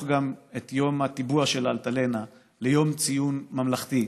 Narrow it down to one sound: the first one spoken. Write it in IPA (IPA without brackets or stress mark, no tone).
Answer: ɡ